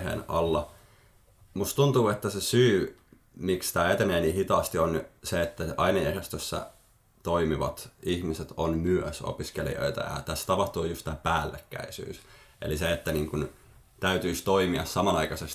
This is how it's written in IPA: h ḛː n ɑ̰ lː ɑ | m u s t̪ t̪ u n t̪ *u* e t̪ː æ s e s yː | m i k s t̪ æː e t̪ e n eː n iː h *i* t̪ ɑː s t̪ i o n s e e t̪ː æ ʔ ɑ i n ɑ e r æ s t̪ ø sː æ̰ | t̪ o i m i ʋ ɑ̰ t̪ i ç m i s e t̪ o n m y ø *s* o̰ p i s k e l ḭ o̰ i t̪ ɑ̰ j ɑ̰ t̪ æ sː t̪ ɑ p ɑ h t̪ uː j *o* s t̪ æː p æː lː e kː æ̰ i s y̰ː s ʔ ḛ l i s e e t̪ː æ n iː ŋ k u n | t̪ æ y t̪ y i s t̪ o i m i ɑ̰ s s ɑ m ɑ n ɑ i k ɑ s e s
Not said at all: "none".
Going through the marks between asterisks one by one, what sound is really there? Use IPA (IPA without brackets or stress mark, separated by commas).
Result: uː, i, s, u